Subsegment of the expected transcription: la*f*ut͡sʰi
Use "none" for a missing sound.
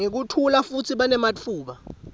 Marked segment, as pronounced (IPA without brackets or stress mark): f